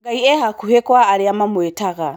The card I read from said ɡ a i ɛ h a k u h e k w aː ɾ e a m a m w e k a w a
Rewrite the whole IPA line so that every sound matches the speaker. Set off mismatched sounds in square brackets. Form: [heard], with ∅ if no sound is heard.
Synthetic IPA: ɡ a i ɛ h a k u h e k w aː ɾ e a m a m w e [t] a [ɣ] a